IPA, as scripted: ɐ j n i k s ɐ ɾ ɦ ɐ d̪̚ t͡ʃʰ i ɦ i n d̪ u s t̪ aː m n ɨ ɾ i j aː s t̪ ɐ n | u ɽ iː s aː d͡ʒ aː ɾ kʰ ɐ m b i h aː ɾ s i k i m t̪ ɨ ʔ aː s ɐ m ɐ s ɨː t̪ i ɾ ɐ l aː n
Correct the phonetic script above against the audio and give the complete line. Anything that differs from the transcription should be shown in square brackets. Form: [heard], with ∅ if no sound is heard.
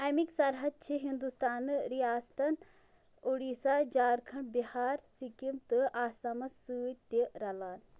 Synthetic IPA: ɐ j [m] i k s ɐ ɾ ɦ ɐ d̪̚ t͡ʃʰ i ɦ i n d̪ u s t̪ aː [∅] n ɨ ɾ i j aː s t̪ ɐ n | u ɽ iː s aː d͡ʒ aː ɾ kʰ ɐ [ɳ] b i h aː ɾ s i k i m t̪ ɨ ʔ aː s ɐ m ɐ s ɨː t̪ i ɾ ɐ l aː n